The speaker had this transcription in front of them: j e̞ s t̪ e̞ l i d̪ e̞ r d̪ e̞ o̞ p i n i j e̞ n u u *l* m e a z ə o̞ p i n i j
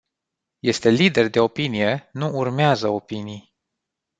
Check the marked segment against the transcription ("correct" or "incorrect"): incorrect